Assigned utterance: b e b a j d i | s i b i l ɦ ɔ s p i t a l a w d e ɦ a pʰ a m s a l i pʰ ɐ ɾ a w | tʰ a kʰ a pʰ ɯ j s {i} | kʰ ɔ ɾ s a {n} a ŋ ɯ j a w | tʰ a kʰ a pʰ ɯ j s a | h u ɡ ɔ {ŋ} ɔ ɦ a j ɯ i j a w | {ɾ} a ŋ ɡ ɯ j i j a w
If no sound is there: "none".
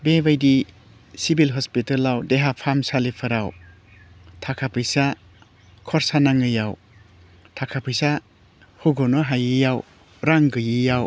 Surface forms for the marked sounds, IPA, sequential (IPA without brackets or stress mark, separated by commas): a, n, n, ɾ